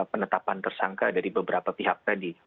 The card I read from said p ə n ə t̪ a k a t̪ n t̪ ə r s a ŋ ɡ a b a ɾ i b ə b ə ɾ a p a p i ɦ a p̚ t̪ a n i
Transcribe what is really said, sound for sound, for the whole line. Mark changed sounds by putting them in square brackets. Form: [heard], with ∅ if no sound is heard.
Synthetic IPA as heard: p ə n ə t̪ a [p] a [∅] n t̪ ə r s a ŋ [k] a [d] a ɾ i b ə b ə ɾ a p a p i ɦ a [k̚] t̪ a [d] i